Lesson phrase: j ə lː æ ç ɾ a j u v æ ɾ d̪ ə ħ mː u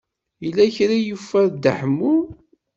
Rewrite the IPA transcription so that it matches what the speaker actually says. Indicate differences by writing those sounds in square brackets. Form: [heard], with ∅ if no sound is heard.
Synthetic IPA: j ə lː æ ç ɾ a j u [f] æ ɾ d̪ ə ħ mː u